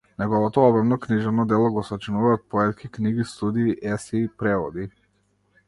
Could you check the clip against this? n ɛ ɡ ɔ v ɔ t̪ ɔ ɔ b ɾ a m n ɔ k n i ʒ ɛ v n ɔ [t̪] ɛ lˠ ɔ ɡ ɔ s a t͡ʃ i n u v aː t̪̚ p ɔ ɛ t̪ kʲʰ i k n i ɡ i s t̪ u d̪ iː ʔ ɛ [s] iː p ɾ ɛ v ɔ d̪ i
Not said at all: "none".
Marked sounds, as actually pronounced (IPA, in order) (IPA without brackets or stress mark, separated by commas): d̪, s